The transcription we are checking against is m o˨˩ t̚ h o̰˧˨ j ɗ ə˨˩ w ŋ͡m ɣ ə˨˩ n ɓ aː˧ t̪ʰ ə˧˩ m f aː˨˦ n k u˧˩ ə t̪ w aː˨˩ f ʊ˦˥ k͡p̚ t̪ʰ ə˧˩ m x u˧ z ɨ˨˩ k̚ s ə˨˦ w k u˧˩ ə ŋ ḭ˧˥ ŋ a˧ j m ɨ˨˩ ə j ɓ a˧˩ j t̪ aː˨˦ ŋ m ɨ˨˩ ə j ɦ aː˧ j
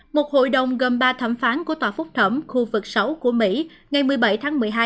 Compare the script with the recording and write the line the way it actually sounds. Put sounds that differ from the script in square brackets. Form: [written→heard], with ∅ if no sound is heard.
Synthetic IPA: m o˨˩ t̚ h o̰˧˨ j ɗ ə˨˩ w ŋ͡m ɣ ə˨˩ n ɓ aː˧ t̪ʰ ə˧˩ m f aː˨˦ n k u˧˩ ə t̪ w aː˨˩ f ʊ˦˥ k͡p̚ t̪ʰ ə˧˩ m x u˧ [z→v] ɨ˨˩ k̚ s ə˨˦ w k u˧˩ ə [ŋ→m] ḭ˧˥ ŋ [a˧→a˨˩] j m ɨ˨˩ ə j ɓ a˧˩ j [t̪→t̪ʰ] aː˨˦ ŋ m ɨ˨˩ ə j ɦ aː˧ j